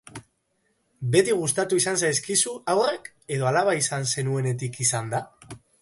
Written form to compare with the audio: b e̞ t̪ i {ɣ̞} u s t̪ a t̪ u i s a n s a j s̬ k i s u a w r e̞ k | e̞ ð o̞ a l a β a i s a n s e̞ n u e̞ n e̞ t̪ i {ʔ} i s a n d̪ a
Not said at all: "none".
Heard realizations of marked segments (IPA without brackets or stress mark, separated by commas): ɣ̞, k